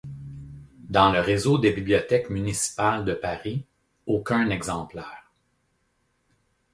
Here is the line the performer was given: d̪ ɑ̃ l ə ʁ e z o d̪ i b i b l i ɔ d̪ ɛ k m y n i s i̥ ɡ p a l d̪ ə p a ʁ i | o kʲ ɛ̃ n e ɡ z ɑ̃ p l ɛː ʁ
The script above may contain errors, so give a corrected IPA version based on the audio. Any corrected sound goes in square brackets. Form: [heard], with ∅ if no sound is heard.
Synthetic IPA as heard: d̪ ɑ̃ l ə ʁ e z o d̪ [e] b i b l i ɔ [t̪] ɛ k m y n i s i̥ [∅] p a l d̪ ə p a ʁ i | o kʲ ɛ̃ n [ɛ] ɡ z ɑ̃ p l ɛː ʁ